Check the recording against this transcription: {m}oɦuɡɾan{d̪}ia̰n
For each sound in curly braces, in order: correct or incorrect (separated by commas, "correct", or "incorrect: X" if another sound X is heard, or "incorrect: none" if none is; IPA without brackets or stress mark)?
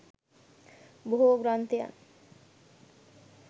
incorrect: b, incorrect: t̪